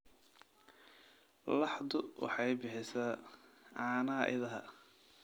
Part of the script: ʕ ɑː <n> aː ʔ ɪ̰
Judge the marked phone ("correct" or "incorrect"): correct